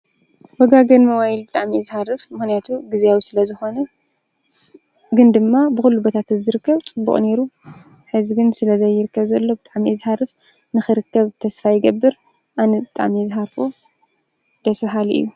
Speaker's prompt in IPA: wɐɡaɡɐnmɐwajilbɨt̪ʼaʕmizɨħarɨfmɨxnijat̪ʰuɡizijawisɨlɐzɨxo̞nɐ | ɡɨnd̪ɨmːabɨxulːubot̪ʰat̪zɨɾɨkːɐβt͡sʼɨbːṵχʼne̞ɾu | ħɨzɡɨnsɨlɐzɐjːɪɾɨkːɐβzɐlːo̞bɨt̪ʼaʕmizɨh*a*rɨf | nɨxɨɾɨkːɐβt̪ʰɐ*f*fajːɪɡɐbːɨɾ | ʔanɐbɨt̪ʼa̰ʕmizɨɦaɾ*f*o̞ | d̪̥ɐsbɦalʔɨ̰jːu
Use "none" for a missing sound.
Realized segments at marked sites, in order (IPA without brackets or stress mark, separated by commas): a, s, f